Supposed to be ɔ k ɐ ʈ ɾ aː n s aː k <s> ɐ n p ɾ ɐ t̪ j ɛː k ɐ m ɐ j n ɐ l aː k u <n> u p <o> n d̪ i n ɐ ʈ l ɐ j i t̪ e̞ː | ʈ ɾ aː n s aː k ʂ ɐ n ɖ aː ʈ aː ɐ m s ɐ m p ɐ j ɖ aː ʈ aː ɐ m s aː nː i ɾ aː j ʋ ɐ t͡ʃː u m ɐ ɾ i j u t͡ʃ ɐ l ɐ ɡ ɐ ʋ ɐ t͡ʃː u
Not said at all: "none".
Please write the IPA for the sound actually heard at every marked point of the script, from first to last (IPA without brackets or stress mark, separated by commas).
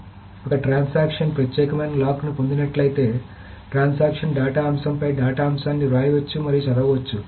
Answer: ʂ, n, o